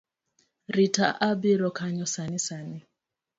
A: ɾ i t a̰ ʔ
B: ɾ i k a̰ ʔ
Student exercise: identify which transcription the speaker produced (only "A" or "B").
A